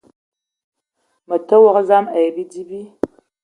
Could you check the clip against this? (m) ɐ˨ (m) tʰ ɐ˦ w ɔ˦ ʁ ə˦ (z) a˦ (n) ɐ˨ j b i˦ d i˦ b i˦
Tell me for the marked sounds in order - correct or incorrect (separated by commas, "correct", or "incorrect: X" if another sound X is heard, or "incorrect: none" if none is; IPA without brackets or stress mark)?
correct, incorrect: none, correct, incorrect: m